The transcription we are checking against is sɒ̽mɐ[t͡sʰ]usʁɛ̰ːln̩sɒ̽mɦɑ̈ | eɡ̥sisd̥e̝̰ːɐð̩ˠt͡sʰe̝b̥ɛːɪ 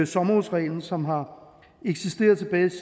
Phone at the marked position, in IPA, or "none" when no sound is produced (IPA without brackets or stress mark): none